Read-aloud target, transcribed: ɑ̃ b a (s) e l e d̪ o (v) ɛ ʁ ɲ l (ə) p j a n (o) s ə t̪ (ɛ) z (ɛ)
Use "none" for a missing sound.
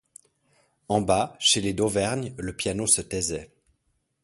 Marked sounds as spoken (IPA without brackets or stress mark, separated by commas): ʃ, v, ə, o, ɛ, ɛ